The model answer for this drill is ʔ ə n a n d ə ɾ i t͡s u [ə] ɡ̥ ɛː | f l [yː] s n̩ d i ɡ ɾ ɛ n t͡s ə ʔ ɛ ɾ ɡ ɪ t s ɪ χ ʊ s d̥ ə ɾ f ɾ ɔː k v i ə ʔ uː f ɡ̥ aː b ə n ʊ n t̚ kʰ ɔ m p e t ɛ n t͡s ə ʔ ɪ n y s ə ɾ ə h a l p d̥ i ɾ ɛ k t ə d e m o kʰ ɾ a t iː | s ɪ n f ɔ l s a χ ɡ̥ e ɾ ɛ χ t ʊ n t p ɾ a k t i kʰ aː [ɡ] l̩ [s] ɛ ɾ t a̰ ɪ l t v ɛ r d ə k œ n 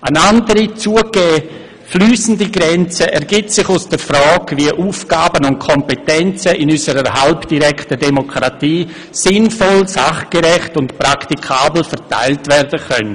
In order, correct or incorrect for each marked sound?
correct, correct, incorrect, incorrect

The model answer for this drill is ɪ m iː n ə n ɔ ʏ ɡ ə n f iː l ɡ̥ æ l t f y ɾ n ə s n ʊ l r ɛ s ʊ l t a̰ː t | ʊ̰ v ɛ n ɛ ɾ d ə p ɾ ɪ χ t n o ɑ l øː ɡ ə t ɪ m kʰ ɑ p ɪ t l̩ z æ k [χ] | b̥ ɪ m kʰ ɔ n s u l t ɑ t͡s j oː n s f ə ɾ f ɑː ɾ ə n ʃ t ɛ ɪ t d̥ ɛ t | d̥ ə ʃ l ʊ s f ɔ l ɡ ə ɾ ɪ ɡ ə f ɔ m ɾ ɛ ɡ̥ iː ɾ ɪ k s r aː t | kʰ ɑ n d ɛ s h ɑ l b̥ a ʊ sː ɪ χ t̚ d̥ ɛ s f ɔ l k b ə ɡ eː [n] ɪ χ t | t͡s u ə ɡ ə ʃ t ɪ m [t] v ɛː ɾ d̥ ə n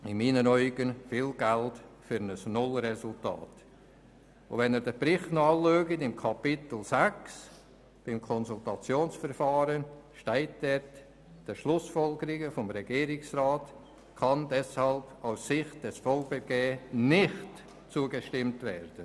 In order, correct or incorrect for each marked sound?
incorrect, correct, correct

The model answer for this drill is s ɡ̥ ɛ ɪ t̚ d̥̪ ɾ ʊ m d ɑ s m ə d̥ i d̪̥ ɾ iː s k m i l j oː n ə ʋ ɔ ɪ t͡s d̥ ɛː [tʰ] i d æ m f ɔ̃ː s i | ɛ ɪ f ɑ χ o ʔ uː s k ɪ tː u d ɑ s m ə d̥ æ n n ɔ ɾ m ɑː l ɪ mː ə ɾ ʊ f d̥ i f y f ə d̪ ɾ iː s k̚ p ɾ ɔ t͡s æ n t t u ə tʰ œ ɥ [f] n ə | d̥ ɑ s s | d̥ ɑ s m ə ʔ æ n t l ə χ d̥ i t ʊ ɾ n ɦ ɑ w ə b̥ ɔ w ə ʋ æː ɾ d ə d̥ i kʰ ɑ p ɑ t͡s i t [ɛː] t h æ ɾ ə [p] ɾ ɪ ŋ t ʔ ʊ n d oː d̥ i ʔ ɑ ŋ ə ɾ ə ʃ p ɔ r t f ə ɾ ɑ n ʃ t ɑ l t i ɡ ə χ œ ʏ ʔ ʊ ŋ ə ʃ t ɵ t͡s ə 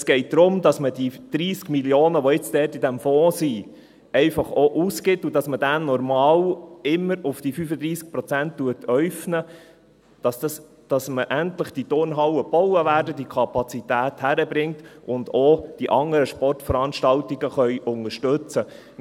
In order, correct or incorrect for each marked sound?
incorrect, correct, incorrect, incorrect

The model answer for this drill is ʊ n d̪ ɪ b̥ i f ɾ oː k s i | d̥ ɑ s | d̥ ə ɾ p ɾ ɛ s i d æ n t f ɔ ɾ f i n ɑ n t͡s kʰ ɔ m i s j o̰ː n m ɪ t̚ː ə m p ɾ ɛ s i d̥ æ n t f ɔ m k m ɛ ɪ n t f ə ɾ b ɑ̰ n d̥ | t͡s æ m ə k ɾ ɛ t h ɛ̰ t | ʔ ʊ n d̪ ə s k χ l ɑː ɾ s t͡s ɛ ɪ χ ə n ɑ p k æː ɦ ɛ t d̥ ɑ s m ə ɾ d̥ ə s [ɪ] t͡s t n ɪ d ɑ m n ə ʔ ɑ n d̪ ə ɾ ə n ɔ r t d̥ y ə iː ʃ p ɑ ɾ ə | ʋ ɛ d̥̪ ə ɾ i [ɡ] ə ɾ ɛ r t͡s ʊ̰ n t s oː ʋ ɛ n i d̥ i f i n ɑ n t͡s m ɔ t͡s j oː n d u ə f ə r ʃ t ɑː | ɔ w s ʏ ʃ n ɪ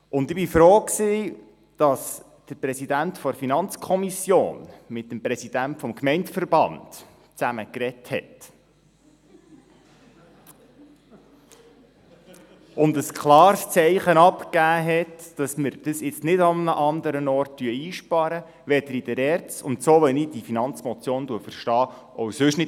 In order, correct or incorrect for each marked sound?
correct, incorrect

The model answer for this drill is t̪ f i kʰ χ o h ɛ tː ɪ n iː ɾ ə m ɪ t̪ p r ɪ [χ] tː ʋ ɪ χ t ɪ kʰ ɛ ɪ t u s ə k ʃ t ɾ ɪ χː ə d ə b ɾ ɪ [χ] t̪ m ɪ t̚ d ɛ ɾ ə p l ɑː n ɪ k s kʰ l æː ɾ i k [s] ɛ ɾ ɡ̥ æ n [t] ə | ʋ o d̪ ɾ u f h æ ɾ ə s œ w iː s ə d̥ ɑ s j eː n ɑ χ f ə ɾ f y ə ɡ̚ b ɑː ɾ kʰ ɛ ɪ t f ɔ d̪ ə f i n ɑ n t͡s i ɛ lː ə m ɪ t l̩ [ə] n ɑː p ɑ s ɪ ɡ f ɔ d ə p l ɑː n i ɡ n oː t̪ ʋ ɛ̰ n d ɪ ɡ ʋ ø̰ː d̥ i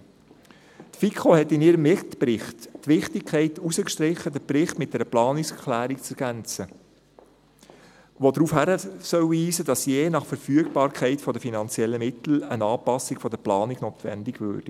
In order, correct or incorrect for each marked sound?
correct, correct, incorrect, incorrect, correct

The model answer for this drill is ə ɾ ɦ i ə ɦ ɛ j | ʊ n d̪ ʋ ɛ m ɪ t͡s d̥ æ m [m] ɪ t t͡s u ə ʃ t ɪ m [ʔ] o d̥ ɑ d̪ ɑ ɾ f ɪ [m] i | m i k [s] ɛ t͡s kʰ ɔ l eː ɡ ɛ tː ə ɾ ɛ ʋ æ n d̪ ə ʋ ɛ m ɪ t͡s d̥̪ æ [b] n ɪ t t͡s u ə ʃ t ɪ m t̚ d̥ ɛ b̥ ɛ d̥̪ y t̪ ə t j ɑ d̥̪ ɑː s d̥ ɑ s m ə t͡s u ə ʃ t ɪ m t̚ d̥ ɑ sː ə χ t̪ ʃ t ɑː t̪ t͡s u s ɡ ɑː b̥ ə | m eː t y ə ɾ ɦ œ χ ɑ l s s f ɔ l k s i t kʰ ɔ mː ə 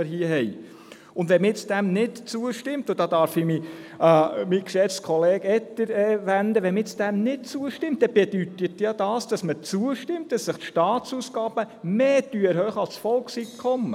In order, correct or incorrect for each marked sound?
incorrect, incorrect, correct, incorrect, incorrect

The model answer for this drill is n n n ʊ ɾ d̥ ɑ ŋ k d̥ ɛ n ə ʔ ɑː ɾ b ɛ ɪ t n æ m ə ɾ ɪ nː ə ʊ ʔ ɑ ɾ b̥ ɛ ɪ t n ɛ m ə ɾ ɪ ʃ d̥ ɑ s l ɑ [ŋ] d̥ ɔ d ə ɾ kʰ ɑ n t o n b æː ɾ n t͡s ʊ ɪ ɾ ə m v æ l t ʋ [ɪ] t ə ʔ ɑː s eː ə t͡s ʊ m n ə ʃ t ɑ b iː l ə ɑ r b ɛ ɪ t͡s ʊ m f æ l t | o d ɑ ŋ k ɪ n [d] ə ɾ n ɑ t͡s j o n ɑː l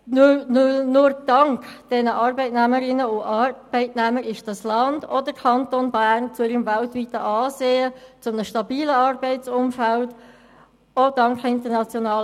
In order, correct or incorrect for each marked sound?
incorrect, incorrect, incorrect

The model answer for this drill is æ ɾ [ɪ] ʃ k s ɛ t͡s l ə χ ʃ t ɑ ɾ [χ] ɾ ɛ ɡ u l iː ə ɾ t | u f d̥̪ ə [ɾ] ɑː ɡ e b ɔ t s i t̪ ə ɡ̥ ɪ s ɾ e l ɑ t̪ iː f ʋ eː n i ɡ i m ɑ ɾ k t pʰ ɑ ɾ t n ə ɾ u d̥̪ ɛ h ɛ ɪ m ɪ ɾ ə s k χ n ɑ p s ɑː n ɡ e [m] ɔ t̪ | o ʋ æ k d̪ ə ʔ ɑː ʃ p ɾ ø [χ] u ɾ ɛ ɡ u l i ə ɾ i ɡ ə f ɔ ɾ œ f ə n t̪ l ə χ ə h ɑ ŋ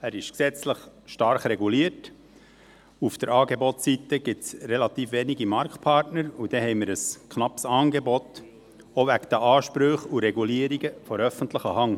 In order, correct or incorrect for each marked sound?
correct, correct, correct, incorrect, correct

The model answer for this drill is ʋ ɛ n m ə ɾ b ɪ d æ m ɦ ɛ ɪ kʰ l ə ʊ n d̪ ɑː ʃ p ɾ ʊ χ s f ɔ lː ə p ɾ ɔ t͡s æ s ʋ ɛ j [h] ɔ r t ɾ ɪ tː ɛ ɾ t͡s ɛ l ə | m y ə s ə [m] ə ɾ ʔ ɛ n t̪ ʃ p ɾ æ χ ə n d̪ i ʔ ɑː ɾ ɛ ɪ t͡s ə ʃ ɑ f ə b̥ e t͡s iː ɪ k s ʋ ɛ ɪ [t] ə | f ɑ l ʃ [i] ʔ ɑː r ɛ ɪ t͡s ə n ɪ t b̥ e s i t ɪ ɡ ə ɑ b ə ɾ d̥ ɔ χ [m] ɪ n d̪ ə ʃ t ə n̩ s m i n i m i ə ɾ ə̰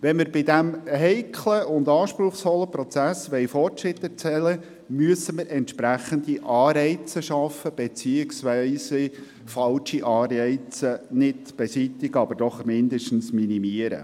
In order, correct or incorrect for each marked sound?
incorrect, correct, incorrect, correct, correct

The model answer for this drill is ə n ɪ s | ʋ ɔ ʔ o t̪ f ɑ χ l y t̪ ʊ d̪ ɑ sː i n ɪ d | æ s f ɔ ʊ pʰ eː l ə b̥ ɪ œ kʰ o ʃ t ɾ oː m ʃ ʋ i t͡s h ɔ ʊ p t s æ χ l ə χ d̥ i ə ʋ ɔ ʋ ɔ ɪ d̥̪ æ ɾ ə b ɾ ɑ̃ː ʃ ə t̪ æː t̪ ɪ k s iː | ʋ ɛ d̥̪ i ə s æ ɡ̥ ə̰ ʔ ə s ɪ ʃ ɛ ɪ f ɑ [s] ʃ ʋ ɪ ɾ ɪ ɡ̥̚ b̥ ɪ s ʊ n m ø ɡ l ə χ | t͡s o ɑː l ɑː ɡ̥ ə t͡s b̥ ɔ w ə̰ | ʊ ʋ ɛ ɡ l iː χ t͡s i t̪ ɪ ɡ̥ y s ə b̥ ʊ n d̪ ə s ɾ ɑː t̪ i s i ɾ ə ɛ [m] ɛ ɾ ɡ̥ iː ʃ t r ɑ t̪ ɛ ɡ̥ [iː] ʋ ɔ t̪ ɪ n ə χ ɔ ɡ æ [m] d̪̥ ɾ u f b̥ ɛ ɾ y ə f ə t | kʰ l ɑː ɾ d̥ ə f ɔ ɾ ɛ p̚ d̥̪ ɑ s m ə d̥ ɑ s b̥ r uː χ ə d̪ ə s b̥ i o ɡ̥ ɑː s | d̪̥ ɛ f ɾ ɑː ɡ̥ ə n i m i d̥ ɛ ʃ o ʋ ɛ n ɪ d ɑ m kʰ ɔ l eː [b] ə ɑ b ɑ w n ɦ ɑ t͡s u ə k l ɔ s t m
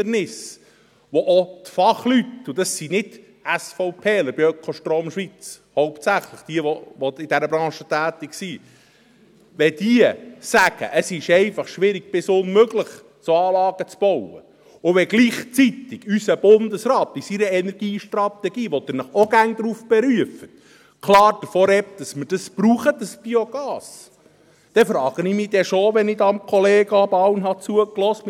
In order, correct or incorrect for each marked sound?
incorrect, incorrect, correct, incorrect, incorrect

